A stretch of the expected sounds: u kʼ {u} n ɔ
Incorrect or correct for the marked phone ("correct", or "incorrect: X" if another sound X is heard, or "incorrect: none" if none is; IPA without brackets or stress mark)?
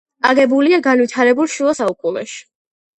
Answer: correct